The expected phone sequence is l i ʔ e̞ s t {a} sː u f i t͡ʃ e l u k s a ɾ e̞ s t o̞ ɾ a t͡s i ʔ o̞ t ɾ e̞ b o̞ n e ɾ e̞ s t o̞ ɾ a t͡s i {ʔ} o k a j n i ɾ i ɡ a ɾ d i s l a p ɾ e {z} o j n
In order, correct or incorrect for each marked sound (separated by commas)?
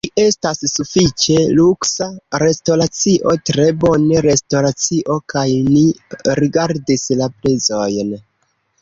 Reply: correct, correct, correct